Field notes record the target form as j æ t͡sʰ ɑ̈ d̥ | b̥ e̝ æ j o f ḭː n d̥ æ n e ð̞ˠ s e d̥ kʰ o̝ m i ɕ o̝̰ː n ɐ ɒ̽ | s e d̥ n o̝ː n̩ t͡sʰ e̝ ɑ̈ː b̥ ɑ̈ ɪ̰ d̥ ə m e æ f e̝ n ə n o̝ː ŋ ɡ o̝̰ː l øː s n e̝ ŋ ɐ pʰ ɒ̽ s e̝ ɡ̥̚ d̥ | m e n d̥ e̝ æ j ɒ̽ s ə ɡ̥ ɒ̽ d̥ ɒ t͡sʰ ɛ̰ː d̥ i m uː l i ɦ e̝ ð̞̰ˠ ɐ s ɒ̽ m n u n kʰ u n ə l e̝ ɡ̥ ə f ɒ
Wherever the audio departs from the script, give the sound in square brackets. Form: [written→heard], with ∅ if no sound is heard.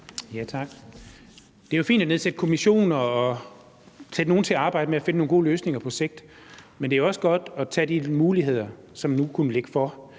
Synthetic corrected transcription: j æ t͡sʰ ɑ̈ [d̥→ɡ̥] | [b̥→d̥] e̝ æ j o f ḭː n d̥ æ n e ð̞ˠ s e d̥ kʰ o̝ m i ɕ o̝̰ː n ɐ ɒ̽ | s e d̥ n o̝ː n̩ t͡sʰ e̝ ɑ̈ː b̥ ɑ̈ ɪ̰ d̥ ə m e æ f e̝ n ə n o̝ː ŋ ɡ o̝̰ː l øː s n e̝ ŋ ɐ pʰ ɒ̽ s e̝ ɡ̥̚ d̥ | m e n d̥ e̝ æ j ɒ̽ s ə ɡ̥ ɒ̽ d̥ ɒ t͡sʰ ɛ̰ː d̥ i m uː l i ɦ e̝ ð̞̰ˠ ɐ s ɒ̽ m n u [n→∅] kʰ u n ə l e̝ ɡ̥ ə f ɒ